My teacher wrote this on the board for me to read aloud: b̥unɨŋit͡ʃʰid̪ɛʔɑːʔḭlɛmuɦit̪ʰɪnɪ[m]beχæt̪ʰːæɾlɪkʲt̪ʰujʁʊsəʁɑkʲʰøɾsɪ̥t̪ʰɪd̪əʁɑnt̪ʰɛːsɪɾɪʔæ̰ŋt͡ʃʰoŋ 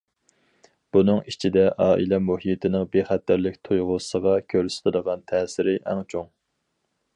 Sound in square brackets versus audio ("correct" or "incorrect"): incorrect